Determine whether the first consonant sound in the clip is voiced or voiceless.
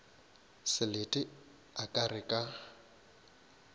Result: voiceless